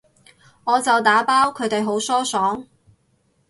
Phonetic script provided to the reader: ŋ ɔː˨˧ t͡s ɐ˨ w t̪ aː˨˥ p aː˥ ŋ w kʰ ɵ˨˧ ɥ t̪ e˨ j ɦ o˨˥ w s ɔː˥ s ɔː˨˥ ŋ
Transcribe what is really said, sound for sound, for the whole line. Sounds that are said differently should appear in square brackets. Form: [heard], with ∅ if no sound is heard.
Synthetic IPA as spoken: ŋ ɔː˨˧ t͡s ɐ˨ w t̪ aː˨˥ p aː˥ [∅] w kʰ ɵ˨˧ ɥ t̪ e˨ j ɦ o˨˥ w s ɔː˥ s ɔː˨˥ ŋ